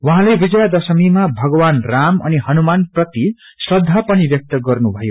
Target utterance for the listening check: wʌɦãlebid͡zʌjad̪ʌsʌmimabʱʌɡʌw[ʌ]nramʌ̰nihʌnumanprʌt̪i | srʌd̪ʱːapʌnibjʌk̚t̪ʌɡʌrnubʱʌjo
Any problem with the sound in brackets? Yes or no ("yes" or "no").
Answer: yes